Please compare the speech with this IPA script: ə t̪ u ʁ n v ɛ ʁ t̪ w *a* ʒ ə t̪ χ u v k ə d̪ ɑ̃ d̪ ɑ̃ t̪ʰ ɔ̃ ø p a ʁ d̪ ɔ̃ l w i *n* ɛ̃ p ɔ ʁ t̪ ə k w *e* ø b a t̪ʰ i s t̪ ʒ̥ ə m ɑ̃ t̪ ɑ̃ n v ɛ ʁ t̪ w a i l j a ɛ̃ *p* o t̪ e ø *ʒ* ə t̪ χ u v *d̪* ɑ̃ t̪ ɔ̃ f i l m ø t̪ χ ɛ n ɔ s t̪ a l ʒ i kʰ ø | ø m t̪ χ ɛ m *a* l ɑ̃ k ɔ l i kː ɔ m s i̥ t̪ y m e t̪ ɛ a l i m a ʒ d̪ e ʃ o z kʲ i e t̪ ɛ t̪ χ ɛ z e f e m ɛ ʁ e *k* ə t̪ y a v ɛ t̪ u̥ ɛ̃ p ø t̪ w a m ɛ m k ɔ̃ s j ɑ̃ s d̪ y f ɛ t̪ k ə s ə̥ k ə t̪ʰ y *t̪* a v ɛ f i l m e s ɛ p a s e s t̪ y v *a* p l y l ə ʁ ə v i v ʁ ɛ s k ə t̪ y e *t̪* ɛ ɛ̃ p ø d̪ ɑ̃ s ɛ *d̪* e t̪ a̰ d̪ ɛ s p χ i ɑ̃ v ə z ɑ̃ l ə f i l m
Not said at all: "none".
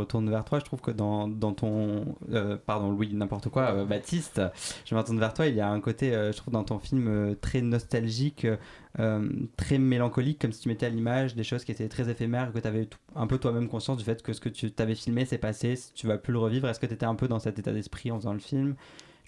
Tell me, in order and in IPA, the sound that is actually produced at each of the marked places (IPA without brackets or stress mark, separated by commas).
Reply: a, n, a, k, ʒ, d̪, e, k, t̪, a, t̪, t̪